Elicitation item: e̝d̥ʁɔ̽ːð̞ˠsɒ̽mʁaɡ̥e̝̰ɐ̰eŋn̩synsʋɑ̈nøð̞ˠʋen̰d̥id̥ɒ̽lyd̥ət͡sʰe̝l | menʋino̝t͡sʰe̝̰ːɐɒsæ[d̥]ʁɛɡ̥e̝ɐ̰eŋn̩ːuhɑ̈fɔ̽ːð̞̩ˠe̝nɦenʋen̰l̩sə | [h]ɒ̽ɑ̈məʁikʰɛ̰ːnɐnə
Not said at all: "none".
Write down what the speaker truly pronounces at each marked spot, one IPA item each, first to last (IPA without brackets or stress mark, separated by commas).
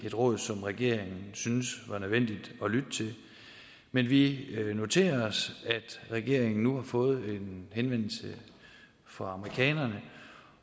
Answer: d̥, f